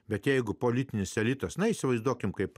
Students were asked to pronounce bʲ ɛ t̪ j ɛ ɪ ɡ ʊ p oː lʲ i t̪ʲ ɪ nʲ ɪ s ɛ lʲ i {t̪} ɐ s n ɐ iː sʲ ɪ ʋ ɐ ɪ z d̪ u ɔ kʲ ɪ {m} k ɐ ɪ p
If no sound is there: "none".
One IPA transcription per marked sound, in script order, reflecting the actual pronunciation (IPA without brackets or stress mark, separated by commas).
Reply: t̪, m